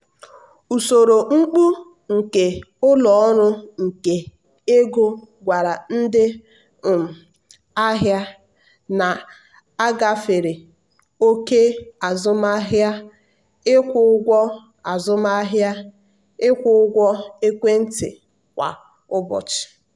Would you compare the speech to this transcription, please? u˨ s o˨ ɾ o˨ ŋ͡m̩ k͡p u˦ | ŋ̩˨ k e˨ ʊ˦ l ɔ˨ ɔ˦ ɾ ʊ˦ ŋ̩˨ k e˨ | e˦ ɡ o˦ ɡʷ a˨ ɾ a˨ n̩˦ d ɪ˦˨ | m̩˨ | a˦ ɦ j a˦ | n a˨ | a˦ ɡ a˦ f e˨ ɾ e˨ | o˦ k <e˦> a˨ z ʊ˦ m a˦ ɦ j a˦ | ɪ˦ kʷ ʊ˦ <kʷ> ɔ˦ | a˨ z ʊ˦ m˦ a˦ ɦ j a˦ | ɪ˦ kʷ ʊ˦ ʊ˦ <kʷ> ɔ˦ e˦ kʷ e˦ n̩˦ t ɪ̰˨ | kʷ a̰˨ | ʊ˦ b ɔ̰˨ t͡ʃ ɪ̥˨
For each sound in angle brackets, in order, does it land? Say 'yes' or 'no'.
yes, no, no

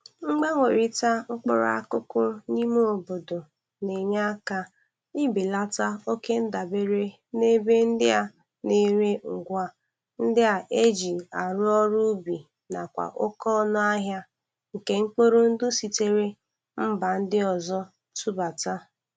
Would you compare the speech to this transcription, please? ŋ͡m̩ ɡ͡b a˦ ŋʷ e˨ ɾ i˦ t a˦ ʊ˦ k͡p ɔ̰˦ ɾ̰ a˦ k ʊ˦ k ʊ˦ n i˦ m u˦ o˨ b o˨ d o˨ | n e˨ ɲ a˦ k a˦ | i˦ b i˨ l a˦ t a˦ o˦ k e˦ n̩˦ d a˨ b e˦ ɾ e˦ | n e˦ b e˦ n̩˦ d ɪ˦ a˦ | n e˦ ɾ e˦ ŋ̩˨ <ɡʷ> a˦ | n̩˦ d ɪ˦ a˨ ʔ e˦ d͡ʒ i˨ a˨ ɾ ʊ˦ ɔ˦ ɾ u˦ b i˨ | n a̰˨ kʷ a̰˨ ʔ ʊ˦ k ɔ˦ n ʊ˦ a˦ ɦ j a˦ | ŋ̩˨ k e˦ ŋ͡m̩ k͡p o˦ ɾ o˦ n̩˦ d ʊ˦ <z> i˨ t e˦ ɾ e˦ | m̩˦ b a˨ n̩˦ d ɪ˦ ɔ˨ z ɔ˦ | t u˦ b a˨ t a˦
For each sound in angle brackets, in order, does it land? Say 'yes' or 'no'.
yes, no

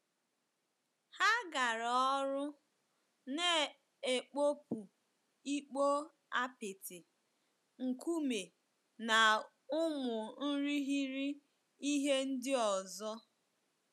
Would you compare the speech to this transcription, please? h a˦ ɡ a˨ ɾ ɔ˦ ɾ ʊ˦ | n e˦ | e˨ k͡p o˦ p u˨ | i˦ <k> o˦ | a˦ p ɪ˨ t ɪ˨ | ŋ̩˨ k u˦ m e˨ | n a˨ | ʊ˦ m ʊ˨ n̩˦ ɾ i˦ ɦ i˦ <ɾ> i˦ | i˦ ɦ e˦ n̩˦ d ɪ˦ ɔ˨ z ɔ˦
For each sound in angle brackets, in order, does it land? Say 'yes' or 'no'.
no, yes

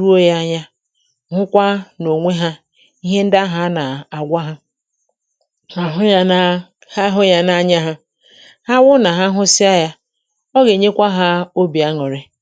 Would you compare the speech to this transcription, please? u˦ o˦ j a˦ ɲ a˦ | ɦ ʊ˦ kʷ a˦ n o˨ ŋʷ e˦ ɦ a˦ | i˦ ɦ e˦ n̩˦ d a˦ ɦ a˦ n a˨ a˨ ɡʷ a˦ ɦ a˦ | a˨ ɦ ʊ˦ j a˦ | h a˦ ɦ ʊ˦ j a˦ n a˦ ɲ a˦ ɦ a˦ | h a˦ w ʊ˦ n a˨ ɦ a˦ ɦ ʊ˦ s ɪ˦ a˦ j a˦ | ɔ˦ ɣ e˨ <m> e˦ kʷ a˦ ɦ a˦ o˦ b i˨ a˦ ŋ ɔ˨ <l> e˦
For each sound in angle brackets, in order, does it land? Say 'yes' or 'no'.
no, no

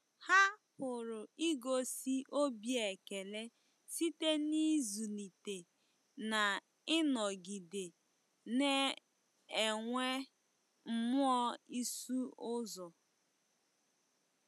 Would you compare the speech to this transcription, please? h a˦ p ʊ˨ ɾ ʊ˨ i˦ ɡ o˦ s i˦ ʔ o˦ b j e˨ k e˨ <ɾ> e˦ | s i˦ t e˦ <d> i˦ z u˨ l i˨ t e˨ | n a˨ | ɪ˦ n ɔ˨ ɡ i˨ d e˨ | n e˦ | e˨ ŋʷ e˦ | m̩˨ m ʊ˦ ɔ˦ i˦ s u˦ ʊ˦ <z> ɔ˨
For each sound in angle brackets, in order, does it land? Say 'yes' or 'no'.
no, no, yes

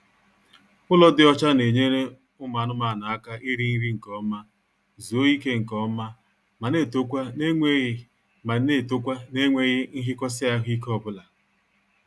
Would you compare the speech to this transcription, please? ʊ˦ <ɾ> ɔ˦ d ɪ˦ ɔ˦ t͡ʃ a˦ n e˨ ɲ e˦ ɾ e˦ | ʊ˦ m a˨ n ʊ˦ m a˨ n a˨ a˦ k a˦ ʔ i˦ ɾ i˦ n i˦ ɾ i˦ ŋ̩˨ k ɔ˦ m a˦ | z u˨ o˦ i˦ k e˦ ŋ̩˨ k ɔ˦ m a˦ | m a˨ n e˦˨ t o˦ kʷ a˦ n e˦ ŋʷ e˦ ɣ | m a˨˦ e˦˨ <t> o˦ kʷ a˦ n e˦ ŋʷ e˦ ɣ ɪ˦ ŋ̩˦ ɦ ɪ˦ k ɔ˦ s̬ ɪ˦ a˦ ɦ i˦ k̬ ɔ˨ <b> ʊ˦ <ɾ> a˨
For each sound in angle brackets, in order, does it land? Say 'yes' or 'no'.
no, yes, yes, no

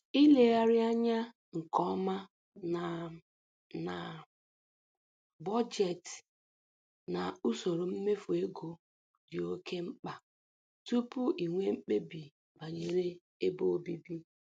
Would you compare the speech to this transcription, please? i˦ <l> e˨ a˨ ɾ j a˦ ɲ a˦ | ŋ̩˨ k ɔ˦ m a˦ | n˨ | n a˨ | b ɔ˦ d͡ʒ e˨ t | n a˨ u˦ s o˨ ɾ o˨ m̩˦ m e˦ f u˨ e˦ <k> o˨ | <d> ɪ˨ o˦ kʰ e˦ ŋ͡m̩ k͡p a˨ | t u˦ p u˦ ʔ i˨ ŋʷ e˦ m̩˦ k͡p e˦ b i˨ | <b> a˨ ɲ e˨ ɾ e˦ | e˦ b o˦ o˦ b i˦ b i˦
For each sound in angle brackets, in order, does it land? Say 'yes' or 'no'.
yes, no, yes, yes

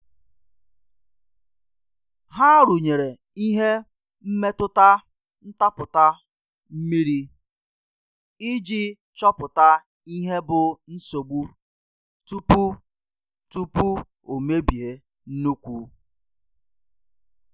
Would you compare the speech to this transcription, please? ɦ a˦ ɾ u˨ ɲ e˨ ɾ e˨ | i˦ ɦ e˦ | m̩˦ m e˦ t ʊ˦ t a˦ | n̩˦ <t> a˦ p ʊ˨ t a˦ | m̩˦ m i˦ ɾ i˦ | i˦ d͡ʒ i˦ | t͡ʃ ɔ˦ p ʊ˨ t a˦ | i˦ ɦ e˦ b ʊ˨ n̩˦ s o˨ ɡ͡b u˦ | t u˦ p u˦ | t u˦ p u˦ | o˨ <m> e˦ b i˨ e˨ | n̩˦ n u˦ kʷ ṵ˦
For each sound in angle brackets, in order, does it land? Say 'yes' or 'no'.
yes, yes

